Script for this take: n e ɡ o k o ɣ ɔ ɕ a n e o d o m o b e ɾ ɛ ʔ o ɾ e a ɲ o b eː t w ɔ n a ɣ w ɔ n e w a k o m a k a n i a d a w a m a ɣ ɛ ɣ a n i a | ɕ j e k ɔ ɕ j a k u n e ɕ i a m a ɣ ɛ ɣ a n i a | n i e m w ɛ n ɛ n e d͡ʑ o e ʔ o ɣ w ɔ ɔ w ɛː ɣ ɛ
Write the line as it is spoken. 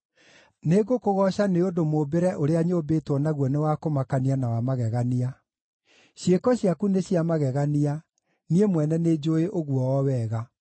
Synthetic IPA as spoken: n e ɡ o k o ɣ ɔ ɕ a n e o d o m o b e ɾ ɛ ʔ o ɾ e a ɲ o b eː t w ɔ n a ɣ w ɔ n e w a k o m a k a n i a n a w a m a ɣ ɛ ɣ a n i a | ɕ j e k ɔ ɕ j a k u n e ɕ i a m a ɣ ɛ ɣ a n i a | n i e m w ɛ n ɛ n e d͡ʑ o e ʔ o ɣ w ɔ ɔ w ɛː ɣ a